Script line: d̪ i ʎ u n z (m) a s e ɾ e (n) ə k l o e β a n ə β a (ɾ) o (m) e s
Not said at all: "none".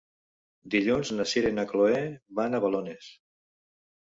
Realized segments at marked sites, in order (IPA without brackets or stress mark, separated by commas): n, n, l, n